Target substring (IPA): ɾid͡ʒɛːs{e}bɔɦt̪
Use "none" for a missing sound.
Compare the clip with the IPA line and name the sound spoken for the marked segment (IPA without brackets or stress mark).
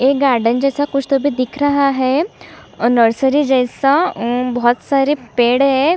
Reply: a